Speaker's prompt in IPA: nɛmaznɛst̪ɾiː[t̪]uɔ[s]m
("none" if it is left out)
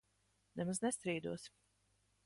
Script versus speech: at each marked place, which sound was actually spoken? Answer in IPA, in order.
d̪, s

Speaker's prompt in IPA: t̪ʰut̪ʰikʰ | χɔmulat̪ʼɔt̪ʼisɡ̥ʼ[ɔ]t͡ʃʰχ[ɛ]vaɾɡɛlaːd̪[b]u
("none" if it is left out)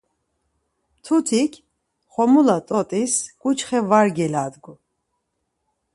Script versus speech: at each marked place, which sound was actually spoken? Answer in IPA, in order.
u, ɛ, ɡ

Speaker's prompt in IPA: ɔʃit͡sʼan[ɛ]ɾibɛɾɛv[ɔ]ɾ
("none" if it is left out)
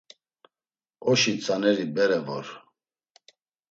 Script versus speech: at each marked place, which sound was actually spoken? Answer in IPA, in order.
ɛ, ɔ

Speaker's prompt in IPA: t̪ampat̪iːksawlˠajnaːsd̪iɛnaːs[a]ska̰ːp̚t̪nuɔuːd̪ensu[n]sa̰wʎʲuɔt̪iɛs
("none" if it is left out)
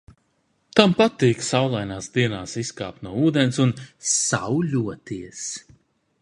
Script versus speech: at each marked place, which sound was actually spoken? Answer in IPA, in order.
i, n

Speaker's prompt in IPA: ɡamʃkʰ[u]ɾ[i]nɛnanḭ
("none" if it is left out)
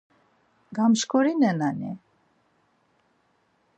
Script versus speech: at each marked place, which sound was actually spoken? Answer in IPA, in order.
ɔ, i

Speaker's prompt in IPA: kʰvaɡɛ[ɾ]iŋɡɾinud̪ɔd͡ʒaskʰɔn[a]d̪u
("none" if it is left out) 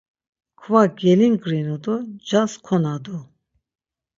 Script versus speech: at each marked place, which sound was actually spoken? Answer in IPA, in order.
l, a

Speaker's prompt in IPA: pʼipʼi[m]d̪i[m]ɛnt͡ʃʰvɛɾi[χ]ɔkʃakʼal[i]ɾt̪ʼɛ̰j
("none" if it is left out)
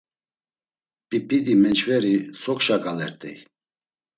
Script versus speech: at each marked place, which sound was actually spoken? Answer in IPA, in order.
none, m, s, ɛ

